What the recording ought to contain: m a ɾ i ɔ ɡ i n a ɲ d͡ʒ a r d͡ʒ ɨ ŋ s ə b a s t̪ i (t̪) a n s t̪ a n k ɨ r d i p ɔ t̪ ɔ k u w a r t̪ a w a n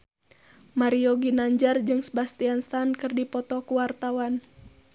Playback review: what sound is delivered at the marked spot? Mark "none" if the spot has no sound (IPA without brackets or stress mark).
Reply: none